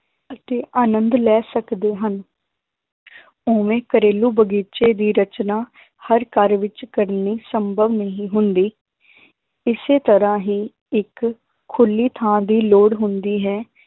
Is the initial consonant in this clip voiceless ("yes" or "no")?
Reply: yes